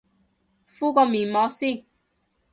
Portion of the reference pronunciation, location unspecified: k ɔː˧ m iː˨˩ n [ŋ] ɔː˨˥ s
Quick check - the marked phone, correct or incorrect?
incorrect